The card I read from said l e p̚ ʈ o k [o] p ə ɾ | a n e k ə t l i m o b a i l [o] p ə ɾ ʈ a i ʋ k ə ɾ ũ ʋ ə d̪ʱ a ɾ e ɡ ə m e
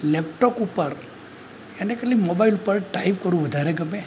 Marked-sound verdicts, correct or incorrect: incorrect: u, incorrect: u

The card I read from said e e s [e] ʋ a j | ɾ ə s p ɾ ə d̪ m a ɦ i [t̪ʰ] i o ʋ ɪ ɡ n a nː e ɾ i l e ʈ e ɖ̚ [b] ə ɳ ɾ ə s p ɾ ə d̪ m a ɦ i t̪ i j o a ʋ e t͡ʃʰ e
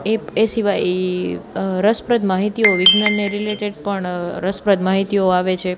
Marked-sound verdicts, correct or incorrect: incorrect: i, incorrect: t̪, incorrect: p

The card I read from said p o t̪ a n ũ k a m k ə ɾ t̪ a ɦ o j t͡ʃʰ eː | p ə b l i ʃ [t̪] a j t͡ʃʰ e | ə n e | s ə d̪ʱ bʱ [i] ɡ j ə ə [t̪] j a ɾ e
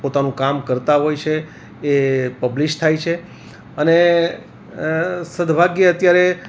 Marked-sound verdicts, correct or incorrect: incorrect: t̪ʰ, incorrect: a, correct

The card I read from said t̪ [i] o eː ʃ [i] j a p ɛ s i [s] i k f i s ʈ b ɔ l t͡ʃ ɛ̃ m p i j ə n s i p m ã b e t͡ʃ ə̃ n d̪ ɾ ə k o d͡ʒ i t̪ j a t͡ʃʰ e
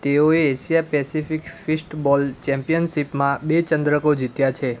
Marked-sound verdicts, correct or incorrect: incorrect: e, correct, incorrect: f

